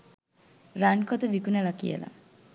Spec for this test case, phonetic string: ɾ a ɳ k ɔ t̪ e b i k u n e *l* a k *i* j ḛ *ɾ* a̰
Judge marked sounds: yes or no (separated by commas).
yes, yes, no